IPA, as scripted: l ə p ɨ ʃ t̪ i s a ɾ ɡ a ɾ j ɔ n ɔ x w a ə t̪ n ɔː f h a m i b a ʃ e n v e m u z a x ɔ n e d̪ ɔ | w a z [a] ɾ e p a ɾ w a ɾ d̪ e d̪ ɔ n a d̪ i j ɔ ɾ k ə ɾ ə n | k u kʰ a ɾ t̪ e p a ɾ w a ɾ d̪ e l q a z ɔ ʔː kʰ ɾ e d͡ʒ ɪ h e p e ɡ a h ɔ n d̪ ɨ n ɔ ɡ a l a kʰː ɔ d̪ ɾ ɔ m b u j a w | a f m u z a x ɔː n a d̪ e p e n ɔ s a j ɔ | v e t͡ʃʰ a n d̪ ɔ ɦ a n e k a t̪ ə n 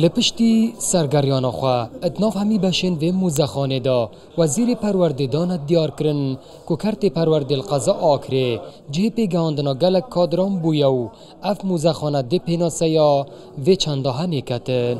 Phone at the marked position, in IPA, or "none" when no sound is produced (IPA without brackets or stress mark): i